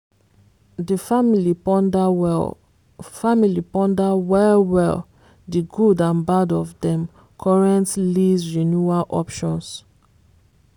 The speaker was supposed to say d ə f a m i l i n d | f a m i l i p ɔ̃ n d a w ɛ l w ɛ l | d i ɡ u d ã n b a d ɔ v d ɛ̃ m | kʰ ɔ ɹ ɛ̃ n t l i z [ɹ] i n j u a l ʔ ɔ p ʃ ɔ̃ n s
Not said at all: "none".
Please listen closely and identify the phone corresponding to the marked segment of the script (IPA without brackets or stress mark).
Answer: ɹ